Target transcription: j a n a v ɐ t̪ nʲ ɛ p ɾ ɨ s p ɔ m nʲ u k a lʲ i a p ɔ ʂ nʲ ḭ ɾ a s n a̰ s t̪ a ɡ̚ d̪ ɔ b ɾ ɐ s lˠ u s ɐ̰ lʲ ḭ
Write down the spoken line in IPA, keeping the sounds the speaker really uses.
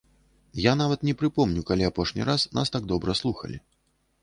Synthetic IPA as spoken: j a n a v ɐ t̪ nʲ ɛ p ɾ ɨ p ɔ m nʲ u k a lʲ i a p ɔ ʂ nʲ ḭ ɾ a s n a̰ s t̪ a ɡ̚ d̪ ɔ b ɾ ɐ s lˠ u x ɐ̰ lʲ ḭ